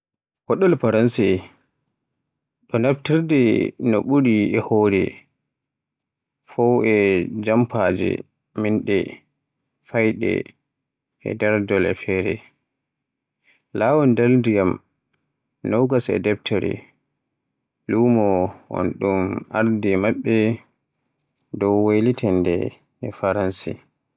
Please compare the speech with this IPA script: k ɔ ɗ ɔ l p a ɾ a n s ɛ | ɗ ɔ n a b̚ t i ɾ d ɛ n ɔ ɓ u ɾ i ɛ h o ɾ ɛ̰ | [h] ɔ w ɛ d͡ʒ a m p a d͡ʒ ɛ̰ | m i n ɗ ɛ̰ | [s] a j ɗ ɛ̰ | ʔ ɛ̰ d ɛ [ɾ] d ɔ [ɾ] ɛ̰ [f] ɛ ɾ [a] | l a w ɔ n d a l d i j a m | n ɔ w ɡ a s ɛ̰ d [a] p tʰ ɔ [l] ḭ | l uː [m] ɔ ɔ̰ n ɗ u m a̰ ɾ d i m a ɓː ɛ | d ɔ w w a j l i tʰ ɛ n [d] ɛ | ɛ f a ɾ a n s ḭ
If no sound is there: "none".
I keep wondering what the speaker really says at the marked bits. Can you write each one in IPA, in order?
f, f, ɾ, l, f, ɛ, ɛ, ɾ, m, d

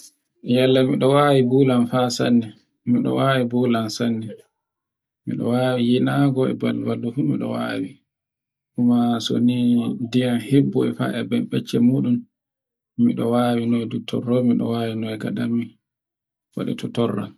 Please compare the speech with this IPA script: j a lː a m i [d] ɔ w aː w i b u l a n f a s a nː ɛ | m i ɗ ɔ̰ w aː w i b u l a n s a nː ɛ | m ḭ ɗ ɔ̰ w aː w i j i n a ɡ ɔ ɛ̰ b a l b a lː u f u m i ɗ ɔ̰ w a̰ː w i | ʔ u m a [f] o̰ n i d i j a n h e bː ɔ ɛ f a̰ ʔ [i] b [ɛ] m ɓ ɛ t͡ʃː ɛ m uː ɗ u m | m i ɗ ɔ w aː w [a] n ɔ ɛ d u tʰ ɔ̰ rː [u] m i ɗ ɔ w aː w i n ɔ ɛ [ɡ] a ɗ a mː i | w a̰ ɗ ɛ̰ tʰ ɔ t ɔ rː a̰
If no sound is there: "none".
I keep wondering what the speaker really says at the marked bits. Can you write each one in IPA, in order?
ɗ, s, ɛ, ɛ, i, ɔ, ɡ

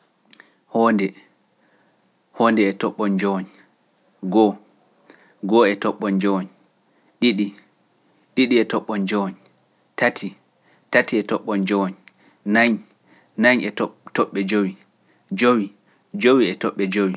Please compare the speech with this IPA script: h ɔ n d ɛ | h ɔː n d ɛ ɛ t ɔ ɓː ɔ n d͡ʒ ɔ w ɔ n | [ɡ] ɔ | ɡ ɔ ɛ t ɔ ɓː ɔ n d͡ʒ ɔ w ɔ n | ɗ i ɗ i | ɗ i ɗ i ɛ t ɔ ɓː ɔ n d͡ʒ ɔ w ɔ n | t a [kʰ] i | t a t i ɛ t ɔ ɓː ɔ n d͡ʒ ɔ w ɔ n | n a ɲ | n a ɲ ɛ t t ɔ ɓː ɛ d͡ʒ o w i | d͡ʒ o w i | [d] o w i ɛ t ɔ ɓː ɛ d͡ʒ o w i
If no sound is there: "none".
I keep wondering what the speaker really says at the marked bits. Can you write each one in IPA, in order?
ɡ, tʰ, d͡ʒ

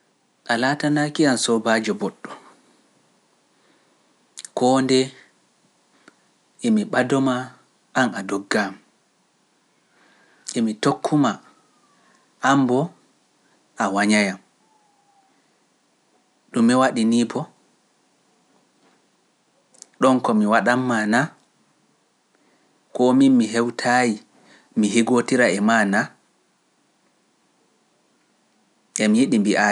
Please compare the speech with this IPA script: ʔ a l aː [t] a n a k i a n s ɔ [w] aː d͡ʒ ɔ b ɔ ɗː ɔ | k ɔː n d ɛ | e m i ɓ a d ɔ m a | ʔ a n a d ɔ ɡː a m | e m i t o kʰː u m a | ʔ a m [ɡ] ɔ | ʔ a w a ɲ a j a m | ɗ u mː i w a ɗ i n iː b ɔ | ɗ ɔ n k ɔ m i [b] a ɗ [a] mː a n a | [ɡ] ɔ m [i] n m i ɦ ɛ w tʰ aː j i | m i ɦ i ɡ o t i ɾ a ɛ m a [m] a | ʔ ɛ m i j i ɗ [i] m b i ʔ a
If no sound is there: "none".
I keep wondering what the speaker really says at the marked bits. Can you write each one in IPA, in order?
t, b, b, w, a, k, i, n, i

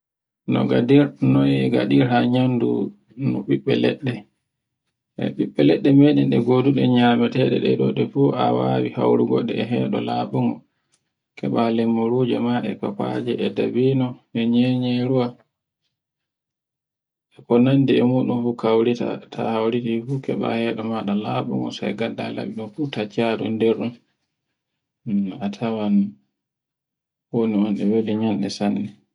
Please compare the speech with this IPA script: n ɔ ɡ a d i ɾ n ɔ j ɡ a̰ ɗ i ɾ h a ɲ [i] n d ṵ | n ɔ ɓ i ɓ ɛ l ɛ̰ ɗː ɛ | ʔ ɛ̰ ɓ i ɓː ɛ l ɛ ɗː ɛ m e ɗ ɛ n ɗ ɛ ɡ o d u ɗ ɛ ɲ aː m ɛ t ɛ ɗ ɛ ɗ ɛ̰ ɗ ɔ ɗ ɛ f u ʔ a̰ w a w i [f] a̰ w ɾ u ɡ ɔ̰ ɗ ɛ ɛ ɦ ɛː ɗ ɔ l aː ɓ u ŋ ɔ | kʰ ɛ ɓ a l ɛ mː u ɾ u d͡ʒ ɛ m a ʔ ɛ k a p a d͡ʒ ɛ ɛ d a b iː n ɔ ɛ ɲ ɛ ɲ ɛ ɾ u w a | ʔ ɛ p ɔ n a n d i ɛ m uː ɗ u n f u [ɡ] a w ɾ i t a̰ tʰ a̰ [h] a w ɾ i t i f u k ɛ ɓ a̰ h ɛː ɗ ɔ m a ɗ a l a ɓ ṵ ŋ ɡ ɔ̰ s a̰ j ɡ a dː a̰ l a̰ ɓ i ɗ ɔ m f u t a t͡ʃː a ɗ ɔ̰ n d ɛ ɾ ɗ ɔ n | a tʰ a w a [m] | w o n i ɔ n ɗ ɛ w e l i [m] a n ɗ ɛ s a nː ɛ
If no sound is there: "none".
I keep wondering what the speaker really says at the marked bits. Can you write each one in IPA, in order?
a, h, k, h, n, ɲ

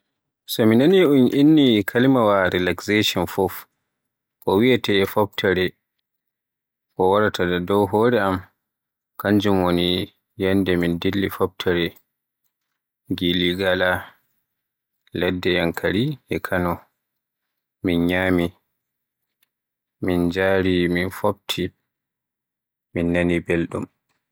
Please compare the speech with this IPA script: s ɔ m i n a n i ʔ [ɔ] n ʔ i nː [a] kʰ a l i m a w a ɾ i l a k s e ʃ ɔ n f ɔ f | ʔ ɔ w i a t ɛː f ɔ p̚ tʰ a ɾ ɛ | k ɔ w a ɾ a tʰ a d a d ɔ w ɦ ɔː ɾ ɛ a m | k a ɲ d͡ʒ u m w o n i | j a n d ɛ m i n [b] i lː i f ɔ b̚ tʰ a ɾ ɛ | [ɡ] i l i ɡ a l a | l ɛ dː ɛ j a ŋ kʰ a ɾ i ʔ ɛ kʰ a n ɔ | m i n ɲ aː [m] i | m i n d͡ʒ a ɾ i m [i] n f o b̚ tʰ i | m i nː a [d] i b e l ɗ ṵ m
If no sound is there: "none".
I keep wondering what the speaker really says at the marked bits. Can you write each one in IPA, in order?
u, i, d, ɡ, m, i, n

